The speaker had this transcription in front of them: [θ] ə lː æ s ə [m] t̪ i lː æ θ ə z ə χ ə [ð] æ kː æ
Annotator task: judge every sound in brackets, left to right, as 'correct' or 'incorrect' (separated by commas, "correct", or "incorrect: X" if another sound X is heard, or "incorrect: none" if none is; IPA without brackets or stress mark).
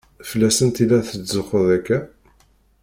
incorrect: f, incorrect: n, correct